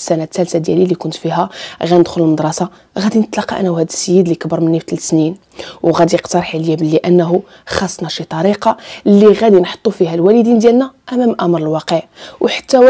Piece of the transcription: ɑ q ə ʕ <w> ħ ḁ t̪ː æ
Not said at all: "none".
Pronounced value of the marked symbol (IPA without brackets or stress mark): w